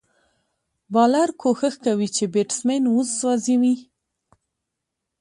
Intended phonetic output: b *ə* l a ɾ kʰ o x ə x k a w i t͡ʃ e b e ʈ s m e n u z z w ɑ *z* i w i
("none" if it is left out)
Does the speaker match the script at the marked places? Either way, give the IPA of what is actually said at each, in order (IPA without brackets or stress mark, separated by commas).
ɑ, z